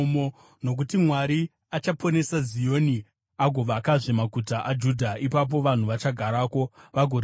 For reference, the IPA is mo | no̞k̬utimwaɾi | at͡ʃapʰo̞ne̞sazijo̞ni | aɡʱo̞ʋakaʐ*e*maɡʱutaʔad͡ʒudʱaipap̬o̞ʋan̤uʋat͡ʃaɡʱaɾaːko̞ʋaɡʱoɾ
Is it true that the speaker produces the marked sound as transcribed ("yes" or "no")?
yes